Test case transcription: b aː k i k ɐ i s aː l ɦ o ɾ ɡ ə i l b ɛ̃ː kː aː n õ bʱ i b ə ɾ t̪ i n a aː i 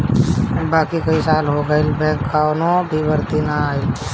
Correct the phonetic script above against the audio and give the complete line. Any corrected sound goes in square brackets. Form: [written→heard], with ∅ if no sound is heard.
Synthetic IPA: b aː k i k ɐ i s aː l ɦ o [ɾ→∅] ɡ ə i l b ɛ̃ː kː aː n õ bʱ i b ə ɾ t̪ i n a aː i